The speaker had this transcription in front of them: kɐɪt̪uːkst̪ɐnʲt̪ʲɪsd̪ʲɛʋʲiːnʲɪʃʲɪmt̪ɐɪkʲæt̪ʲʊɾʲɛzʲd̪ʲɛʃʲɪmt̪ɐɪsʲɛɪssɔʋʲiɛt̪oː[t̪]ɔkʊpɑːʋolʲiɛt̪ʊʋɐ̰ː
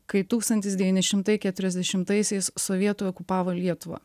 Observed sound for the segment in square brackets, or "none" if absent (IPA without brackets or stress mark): none